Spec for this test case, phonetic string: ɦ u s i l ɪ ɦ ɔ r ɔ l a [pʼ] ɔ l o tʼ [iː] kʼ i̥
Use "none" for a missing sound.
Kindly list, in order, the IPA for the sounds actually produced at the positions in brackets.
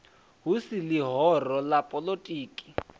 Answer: pʼ, iː

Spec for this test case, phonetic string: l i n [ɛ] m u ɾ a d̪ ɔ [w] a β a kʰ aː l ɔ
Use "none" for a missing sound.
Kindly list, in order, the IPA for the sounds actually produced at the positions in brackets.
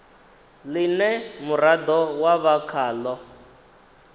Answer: ɛ, w

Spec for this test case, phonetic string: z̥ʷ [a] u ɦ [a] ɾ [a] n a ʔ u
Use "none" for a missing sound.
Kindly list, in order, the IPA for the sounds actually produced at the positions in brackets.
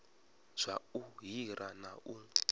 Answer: a, i, a

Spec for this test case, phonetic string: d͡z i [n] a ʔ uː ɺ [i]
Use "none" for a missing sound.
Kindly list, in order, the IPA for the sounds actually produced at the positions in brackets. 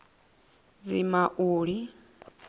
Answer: m, i

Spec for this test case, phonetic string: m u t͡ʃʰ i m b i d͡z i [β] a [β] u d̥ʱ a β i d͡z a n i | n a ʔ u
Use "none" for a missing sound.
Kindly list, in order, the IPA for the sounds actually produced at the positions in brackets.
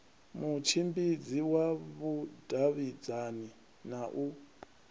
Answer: w, β

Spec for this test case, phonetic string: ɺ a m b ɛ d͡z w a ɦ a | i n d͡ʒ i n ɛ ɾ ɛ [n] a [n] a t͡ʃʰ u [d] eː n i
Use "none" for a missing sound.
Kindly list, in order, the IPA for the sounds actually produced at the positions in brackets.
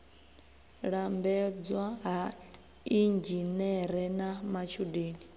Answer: n, m, d

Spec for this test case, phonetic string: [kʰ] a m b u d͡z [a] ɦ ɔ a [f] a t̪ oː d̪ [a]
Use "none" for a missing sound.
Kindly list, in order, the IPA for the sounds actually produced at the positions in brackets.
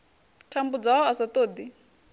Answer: tʰ, a, s, i

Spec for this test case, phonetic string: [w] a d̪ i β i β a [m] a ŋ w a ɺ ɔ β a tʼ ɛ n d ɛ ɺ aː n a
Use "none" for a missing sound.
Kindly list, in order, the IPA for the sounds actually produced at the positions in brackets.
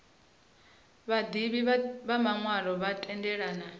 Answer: β, m

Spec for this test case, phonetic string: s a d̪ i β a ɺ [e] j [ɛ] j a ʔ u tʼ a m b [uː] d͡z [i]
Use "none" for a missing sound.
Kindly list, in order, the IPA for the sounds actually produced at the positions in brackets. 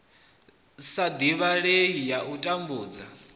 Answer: e, i, uː, a

